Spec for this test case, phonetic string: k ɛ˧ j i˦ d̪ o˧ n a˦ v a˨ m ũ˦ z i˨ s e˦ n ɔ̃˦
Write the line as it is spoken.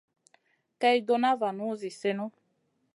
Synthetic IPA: k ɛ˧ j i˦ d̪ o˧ n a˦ v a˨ n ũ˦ z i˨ s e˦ n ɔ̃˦